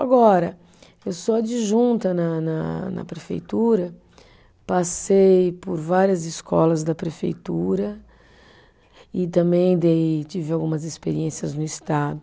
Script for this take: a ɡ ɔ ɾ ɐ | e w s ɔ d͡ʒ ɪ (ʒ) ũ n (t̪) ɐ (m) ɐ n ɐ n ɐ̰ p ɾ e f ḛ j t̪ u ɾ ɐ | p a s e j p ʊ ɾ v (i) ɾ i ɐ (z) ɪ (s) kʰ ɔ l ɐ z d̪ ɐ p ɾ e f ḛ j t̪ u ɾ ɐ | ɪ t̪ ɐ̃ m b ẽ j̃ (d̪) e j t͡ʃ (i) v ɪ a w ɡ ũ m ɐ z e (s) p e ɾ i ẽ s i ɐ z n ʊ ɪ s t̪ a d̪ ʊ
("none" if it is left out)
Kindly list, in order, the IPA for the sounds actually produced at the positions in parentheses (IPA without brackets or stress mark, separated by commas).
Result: ʒ, t̪, n, a, z, s, d̪, i, s